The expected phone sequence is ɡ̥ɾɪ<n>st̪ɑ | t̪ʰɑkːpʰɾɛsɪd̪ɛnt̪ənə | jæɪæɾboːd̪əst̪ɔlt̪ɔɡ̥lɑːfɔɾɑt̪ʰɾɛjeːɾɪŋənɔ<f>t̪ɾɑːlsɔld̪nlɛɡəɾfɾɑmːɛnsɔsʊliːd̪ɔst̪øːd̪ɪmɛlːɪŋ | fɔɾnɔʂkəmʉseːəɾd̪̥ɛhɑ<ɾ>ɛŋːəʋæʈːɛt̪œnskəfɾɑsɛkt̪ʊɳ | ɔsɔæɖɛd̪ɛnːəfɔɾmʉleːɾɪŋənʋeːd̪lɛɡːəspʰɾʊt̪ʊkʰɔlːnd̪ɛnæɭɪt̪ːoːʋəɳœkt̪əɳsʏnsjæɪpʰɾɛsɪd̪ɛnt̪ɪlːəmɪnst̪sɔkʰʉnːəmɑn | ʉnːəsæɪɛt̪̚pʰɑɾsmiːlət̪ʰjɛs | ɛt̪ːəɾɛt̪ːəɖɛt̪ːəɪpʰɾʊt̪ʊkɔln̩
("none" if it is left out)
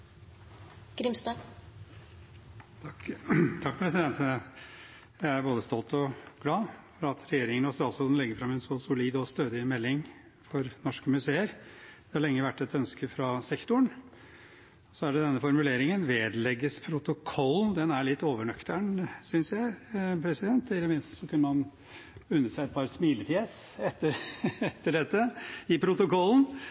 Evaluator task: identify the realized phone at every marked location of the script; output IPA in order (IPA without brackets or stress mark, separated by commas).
m, s, ɭ